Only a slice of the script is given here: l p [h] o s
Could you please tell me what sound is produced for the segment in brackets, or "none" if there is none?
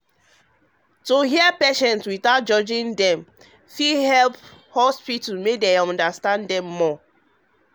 h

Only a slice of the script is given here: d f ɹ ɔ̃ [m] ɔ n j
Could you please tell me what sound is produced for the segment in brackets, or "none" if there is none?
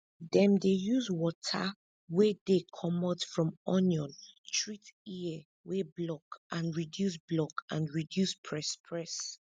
m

